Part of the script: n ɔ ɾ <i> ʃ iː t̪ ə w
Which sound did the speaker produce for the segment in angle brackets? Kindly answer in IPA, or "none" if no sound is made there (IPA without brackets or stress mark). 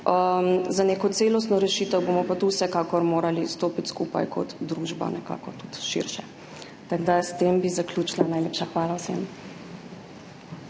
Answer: ɛ